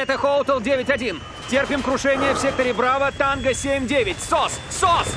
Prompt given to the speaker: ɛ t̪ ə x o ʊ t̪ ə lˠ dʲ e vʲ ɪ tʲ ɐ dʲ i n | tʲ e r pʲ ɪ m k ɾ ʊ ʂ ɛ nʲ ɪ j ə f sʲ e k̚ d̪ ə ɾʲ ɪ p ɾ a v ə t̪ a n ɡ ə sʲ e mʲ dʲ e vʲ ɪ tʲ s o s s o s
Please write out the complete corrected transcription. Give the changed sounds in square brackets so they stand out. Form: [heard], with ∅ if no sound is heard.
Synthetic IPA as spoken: ɛ t̪ ə x o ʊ t̪ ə lˠ dʲ e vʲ ɪ tʲ ɐ dʲ i n | tʲ e r pʲ ɪ m k ɾ ʊ ʂ ɛ nʲ ɪ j ə f sʲ e k̚ [t̪] ə ɾʲ ɪ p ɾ a v ə t̪ a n ɡ ə sʲ e mʲ dʲ e vʲ ɪ tʲ s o s s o s

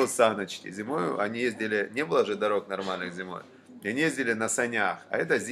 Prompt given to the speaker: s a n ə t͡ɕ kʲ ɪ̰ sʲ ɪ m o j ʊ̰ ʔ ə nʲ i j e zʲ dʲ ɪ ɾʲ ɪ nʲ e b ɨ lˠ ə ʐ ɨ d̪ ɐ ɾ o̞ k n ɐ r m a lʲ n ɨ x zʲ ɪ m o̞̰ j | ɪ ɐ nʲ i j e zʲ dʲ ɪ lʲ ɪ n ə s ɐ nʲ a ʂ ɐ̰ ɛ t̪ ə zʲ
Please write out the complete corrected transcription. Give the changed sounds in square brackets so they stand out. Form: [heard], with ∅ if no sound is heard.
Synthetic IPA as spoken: s a n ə t͡ɕ kʲ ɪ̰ [zʲ] ɪ m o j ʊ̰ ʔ [ɐ] nʲ i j e zʲ dʲ ɪ [lʲ] ɪ nʲ e b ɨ lˠ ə ʐ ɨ d̪ ɐ ɾ o̞ k n ɐ r m a lʲ n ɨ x zʲ ɪ m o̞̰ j | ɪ ɐ nʲ i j e zʲ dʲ ɪ lʲ ɪ n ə s ɐ nʲ a [x] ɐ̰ ɛ t̪ ə zʲ

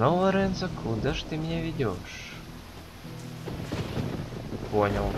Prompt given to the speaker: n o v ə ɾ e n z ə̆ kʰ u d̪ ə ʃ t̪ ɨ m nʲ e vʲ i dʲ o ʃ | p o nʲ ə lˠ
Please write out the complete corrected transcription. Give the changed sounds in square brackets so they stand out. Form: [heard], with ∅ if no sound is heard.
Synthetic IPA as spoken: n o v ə ɾ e n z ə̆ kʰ u d̪ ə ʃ t̪ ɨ m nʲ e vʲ i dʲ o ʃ | p o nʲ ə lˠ

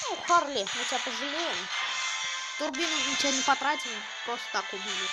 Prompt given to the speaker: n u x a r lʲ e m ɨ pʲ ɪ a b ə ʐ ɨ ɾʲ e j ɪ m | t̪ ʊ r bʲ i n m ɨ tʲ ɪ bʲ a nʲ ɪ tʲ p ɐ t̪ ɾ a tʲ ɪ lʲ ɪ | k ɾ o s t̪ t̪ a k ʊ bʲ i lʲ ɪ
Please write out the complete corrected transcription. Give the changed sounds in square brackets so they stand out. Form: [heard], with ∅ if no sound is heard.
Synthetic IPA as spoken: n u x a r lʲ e m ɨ [tʲ] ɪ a [p] ə ʐ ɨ [lʲ] e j ɪ m | t̪ ʊ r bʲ i n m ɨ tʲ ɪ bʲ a nʲ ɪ [∅] p ɐ t̪ ɾ a tʲ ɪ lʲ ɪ | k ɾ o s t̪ t̪ a k ʊ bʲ i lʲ ɪ

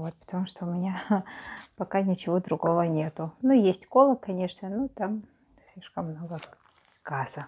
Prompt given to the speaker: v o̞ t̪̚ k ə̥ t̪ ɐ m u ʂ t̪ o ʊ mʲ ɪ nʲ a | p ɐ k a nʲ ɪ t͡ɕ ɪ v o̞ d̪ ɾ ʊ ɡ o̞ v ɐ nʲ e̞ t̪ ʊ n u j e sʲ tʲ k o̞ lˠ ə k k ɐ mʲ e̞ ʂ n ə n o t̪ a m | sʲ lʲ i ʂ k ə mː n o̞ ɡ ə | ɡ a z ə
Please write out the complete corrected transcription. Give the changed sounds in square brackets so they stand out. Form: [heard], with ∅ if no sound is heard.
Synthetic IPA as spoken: v o̞ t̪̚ [p] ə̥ t̪ ɐ m u ʂ t̪ o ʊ mʲ ɪ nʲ a | p ɐ k a nʲ ɪ t͡ɕ ɪ v o̞ d̪ ɾ ʊ ɡ o̞ v [ə] nʲ e̞ t̪ ʊ n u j e sʲ tʲ k o̞ lˠ ə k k ɐ [nʲ] e̞ ʂ n ə n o t̪ a m | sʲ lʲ i ʂ k ə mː n o̞ ɡ ə | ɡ a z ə

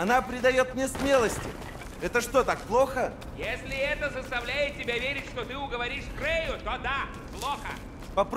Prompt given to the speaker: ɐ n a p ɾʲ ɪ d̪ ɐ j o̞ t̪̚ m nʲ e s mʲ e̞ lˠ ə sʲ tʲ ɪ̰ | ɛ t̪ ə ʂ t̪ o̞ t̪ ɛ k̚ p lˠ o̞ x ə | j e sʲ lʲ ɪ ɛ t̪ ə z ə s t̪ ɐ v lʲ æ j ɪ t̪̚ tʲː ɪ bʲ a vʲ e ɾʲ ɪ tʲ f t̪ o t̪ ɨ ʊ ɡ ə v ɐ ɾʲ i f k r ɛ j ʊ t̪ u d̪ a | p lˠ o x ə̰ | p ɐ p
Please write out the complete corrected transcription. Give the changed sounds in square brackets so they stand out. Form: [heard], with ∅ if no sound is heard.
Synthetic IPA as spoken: ɐ n a p ɾʲ ɪ d̪ ɐ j o̞ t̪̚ m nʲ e s mʲ e̞ lˠ ə sʲ tʲ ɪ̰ | ɛ t̪ ə ʂ t̪ o̞ t̪ [a] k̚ p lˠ o̞ x ə | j e sʲ lʲ ɪ ɛ t̪ ə z ə s t̪ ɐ v lʲ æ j ɪ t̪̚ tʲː ɪ bʲ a vʲ e ɾʲ ɪ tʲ [ʂ] t̪ o t̪ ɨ ʊ ɡ ə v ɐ ɾʲ i [ʂ] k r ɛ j ʊ t̪ [o] d̪ a | p lˠ o x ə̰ | p ɐ p

